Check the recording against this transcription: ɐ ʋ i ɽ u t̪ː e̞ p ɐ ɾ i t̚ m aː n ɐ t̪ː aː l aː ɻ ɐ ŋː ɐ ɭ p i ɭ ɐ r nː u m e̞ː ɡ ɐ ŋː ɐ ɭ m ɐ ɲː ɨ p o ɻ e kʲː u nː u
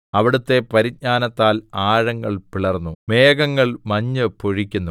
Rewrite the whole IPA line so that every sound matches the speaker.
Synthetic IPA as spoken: ɐ ʋ i ɽ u t̪ː e̞ p ɐ ɾ i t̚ ɲ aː n ɐ t̪ː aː l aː ɻ ɐ ŋː ɐ ɭ p i ɭ ɐ r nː u m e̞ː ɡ ɐ ŋː ɐ ɭ m ɐ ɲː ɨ p o ɻ i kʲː u nː u